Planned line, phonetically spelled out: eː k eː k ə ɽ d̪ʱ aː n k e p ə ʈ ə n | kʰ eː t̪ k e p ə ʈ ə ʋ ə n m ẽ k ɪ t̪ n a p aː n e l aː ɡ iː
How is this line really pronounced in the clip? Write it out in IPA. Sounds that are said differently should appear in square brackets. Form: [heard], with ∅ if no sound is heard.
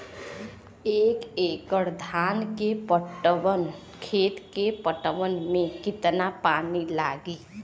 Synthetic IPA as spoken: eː k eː k ə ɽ d̪ʱ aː n k e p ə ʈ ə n | kʰ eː t̪ k e p ə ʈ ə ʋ ə n m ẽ k ɪ t̪ n a p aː n [i] l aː ɡ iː